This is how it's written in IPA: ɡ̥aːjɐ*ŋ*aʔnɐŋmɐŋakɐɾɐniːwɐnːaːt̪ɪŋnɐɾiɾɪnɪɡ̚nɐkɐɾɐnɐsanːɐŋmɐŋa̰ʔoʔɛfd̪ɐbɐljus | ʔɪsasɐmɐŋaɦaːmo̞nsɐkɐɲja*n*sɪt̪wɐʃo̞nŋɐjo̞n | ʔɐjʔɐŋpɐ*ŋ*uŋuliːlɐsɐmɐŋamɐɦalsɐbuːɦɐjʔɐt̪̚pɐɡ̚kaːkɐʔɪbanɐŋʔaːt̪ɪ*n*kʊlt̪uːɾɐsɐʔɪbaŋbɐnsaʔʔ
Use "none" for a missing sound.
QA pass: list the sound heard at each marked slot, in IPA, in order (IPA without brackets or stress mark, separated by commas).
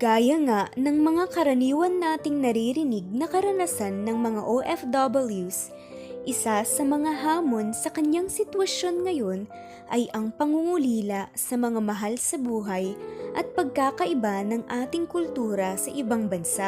ŋ, ŋ, ŋ, ŋ